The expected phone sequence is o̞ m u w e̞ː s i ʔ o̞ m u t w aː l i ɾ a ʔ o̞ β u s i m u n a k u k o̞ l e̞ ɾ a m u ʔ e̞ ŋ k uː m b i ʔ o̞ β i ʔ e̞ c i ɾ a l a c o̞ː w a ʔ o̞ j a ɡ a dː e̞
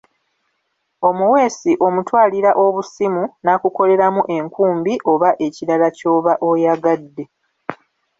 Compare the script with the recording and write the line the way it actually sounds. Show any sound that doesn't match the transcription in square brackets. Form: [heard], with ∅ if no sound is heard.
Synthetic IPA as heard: o̞ m u w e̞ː s i ʔ o̞ m u t w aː l i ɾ a ʔ o̞ β u s i m u n a k u k o̞ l e̞ ɾ a m u ʔ e̞ ŋ k uː m b i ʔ o̞ β [a] ʔ e̞ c i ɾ a l a c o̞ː [β] a ʔ o̞ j a ɡ a dː e̞